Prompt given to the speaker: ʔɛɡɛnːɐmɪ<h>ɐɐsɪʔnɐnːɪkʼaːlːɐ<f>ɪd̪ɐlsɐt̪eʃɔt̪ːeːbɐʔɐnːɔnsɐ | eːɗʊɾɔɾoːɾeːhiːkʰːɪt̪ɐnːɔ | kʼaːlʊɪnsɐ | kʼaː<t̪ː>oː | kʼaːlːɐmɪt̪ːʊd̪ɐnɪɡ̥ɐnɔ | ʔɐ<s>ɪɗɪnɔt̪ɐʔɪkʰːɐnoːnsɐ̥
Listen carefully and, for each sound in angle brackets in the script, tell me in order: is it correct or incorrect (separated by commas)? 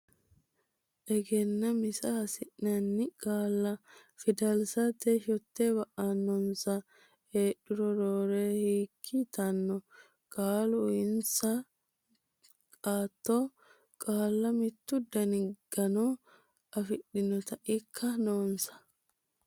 incorrect, correct, correct, incorrect